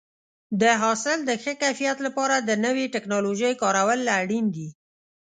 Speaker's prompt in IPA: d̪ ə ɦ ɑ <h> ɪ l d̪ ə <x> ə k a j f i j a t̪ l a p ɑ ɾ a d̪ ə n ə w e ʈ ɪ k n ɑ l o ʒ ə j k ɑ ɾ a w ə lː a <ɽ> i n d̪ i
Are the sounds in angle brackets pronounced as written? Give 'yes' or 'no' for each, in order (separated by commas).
no, yes, yes